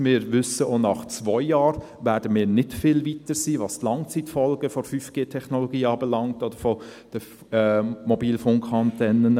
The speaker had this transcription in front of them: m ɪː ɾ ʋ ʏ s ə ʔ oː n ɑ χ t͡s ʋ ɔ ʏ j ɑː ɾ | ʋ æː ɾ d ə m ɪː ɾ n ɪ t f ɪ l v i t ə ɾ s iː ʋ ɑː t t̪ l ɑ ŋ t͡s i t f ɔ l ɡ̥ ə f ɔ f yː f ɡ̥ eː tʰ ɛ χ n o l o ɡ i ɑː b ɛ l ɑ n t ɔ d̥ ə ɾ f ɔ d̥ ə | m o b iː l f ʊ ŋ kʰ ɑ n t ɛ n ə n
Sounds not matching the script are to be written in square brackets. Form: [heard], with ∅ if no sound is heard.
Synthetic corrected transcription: m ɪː ɾ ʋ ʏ s ə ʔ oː n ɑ χ t͡s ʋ ɔ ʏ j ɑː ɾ | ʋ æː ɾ d ə m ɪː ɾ n ɪ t f ɪ l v i t ə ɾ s iː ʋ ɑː [s] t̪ l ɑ ŋ t͡s i t f ɔ l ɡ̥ ə f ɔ f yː f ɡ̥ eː tʰ ɛ χ n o l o ɡ [iː] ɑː b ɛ l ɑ [ŋ] t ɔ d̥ ə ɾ f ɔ d̥ ə | m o b iː l f ʊ ŋ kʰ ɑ n t ɛ n ə n

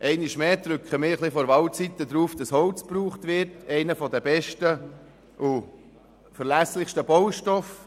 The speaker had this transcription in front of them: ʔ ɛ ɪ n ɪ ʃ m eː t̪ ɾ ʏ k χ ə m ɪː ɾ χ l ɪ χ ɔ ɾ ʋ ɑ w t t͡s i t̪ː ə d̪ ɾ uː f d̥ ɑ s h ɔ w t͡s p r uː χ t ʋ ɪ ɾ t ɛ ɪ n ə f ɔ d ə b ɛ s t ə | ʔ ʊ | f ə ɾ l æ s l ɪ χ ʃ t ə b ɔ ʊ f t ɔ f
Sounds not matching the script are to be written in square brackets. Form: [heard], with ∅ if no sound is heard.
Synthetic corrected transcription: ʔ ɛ ɪ n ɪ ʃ m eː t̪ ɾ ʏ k χ ə m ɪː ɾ χ l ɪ [f] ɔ ɾ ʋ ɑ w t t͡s i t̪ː ə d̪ ɾ uː f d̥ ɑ s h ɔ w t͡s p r uː χ t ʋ ɪ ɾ t ɛ ɪ n ə f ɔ d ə b ɛ [ʃ] t ə | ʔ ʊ | f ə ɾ l æ s l ɪ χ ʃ t ə b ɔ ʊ [ʃ] t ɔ f

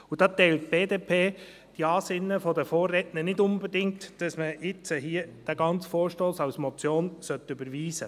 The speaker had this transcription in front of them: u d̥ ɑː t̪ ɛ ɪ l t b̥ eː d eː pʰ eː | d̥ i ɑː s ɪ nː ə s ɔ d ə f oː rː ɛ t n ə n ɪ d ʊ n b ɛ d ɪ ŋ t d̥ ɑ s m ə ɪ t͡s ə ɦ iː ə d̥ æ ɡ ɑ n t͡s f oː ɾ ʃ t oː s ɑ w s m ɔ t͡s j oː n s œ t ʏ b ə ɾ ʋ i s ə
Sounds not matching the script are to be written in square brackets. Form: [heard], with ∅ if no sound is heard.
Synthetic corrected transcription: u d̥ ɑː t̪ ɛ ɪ l t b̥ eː d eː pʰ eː | d̥ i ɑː s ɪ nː ə [f] ɔ d ə f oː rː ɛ t n ə n ɪ d ʊ n b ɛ d ɪ ŋ t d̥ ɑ s m ə ɪ t͡s ə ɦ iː ə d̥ æ ɡ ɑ n t͡s f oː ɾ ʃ t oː s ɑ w s m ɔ t͡s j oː n s œ t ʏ b ə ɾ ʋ [iː] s ə

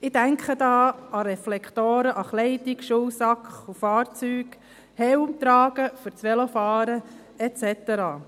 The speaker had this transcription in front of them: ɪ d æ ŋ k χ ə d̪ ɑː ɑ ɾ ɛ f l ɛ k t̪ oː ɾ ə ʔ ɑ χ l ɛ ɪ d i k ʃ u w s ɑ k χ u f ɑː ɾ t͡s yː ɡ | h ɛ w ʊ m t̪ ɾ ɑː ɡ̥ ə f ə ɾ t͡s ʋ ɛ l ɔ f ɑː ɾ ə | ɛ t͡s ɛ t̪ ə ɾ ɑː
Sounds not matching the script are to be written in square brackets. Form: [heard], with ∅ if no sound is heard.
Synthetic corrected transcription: ɪ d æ ŋ k χ ə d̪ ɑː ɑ ɾ ɛ f l ɛ k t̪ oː ɾ ə ʔ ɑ χ l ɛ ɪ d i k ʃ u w s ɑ k χ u f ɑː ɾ t͡s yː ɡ | h ɛ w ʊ m t̪ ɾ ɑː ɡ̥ ə f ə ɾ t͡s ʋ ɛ l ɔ f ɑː ɾ ə | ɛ t͡s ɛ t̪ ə ɾ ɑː

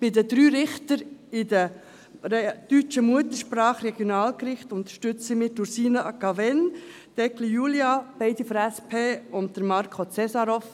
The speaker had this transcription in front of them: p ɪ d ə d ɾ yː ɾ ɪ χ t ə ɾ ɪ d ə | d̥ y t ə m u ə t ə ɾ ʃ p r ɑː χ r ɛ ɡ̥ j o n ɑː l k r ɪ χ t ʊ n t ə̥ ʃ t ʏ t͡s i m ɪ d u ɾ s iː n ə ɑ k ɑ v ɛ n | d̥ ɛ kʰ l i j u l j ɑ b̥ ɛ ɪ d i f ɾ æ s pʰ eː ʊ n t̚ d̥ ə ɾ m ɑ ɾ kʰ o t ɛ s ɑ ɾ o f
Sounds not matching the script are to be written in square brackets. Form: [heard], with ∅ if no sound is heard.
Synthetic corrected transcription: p ɪ d ə d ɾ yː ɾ ɪ χ t ə ɾ ɪ d ə | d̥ y [t͡ʃ] ə m u ə t ə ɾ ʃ p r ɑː χ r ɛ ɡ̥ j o n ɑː l k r ɪ χ t ʊ n t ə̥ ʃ t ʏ t͡s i m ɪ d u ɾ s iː n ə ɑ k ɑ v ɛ n | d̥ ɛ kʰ l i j u l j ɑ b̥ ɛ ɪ d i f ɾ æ s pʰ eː ʊ n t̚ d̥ ə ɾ m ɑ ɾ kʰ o [t͡s] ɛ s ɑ ɾ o f

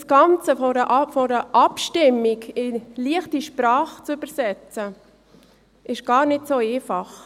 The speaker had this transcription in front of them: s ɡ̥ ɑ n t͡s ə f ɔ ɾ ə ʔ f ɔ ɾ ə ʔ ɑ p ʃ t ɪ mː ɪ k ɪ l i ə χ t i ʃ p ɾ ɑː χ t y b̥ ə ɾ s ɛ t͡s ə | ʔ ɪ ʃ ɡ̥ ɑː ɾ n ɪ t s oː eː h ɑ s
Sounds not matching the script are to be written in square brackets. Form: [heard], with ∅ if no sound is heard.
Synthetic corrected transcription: s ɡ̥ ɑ n t͡s ə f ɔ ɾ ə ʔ f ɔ ɾ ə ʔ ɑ p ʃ t ɪ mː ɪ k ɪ l i ə χ t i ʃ p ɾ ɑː χ [t͡s] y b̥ ə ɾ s ɛ t͡s ə | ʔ ɪ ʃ ɡ̥ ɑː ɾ n ɪ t s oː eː [f] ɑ [χ]

